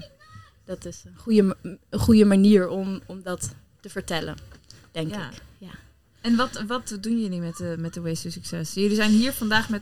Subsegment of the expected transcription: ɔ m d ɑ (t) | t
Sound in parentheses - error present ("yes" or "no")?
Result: no